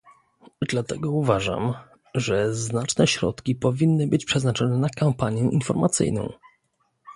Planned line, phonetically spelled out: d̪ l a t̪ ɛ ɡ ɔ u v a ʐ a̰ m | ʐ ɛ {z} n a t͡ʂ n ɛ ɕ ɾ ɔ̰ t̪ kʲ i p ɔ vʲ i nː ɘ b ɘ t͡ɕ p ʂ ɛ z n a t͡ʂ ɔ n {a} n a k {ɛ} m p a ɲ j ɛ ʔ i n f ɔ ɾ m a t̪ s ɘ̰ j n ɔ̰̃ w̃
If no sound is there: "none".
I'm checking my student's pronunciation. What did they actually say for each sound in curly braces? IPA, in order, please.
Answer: z, ɛ, a

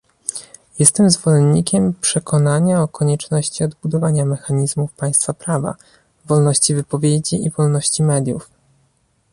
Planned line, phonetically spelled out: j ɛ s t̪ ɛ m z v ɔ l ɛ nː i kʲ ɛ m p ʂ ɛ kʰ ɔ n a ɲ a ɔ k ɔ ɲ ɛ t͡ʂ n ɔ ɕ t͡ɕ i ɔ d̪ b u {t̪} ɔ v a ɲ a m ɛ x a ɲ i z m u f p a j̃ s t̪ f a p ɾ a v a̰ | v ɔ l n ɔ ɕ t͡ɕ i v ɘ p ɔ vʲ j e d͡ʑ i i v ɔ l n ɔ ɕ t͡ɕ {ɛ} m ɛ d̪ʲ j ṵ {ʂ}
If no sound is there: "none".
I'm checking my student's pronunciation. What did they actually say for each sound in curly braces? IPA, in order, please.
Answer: d̪, i, f

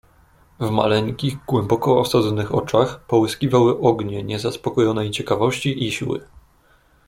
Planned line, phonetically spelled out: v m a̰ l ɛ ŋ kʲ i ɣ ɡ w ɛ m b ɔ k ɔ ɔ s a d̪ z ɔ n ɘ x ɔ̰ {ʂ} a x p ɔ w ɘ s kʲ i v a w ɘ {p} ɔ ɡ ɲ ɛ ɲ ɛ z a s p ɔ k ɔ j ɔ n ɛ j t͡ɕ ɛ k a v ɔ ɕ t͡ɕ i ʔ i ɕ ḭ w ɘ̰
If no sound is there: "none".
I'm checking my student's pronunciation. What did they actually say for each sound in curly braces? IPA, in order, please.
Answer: t͡ʂ, ʔ

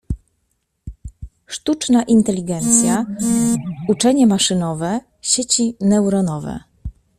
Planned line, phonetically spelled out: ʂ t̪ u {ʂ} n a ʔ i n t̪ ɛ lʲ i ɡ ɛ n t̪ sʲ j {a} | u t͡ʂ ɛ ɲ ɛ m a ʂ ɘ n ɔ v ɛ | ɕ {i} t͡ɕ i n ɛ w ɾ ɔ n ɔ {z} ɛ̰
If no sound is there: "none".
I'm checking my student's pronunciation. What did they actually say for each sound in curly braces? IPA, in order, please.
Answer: t͡ʂ, a, e, v

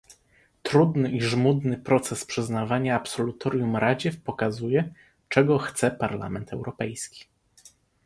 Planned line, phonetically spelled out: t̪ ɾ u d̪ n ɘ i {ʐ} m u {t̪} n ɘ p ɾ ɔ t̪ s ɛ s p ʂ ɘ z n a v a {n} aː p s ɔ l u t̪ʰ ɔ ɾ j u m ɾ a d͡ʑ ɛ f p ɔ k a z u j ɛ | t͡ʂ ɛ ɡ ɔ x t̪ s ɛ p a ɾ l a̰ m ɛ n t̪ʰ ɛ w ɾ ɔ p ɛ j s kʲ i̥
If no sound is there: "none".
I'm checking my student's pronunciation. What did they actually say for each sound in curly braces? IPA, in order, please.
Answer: ʐ, d̪, ɲ

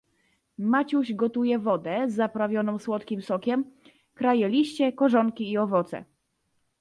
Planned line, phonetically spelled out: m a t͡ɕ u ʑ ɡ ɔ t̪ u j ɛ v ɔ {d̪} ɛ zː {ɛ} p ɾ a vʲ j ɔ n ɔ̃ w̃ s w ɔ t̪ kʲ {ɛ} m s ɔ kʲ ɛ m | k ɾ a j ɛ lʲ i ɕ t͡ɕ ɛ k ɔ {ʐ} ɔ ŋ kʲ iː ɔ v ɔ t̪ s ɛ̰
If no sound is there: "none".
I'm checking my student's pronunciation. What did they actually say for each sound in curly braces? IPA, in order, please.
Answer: d̪, a, i, ʐ

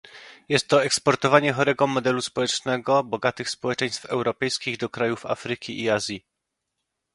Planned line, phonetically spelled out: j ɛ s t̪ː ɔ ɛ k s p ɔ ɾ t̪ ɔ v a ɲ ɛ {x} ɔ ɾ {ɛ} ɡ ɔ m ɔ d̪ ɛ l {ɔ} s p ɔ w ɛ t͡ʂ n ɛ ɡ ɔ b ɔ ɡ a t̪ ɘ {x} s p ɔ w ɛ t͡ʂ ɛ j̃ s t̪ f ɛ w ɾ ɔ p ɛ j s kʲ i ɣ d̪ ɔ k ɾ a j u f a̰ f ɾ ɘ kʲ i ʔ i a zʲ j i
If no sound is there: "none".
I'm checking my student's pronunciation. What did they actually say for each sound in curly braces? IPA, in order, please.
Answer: x, ɛ, u, x

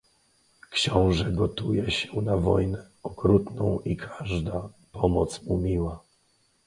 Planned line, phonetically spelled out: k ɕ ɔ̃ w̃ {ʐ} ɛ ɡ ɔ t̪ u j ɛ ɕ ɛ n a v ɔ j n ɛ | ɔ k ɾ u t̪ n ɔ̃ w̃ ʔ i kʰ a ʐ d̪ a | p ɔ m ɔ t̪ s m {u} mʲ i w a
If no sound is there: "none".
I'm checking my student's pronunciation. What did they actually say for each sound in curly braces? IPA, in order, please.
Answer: ʐ, u

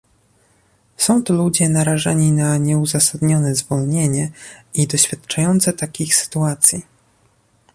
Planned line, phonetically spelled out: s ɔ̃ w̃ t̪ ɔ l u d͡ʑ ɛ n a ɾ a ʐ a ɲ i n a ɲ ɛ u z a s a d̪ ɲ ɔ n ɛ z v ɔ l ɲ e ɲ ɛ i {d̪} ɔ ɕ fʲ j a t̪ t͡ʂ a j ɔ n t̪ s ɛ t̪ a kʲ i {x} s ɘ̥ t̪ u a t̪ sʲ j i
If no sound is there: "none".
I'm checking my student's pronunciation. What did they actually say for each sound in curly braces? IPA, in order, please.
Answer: d̪, x

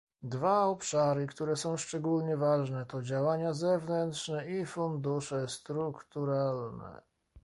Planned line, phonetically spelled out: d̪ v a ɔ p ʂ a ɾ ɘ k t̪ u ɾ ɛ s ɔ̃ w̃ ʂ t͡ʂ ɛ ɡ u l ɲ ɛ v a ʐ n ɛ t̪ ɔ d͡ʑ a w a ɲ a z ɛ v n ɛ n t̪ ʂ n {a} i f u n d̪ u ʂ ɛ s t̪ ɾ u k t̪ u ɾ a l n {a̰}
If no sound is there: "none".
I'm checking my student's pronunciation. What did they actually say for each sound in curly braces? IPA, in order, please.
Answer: ɛ, ɛ̰

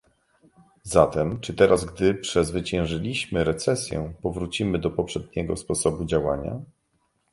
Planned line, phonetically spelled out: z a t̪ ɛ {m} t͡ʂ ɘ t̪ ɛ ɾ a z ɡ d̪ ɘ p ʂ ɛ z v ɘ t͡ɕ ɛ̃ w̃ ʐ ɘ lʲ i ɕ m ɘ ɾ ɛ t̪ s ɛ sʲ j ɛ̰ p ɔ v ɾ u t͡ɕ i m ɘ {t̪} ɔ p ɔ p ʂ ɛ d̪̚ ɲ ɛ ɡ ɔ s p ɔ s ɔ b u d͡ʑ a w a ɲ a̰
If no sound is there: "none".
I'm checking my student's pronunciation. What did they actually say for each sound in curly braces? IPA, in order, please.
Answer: m, d̪

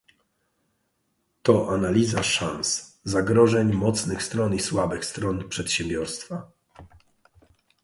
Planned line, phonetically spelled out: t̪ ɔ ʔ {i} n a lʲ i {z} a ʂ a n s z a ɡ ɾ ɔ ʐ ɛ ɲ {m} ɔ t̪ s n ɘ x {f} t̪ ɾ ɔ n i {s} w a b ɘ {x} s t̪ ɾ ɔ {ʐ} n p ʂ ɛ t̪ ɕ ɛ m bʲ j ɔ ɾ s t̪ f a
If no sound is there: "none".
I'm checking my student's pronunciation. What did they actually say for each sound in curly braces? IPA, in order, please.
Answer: a, z, m, s, s, x, none

